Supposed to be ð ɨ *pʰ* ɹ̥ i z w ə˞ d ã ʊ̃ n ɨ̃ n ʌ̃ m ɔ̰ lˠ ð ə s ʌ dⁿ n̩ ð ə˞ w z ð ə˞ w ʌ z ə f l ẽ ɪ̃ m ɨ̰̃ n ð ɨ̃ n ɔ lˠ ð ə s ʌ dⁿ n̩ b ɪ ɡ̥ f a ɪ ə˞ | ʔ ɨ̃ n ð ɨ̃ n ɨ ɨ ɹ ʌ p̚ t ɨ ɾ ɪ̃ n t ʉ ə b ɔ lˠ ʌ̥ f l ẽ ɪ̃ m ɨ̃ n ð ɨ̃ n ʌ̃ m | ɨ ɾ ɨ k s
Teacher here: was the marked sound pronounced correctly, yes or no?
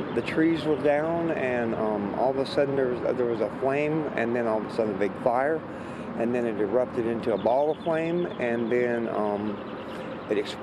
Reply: no